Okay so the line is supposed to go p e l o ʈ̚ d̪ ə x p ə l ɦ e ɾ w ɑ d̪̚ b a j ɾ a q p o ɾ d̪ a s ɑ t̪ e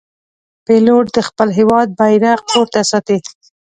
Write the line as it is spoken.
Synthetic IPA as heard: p e l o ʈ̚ d̪ ə x p ə l ɦ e w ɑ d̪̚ b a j ɾ a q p o ɾ t̪ a s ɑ t̪ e